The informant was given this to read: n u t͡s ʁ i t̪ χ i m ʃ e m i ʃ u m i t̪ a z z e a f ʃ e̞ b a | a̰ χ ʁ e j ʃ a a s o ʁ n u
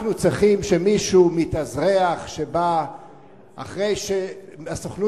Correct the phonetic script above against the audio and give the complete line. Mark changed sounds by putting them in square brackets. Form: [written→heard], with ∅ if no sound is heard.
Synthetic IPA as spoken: n u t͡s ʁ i [t̪→∅] χ i m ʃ e m i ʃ u m i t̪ a z [z→ʁ] e a [f→χ] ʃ e̞ b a | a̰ χ ʁ e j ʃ [a→e] a s o [ʁ→χ] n u